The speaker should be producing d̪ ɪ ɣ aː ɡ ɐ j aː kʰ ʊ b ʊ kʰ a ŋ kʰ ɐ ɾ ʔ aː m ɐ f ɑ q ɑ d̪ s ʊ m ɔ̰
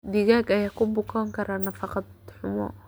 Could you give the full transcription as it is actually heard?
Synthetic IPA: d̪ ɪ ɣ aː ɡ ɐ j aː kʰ ʊ b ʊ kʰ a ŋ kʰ ɐ ɾ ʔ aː n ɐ f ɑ q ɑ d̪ ħ ʊ m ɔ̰